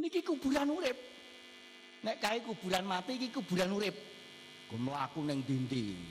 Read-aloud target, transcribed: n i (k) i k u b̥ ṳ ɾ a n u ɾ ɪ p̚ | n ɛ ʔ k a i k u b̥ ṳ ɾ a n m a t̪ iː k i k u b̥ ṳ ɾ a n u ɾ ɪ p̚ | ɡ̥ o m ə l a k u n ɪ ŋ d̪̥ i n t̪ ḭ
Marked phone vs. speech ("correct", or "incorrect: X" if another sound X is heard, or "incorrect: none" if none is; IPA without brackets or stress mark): correct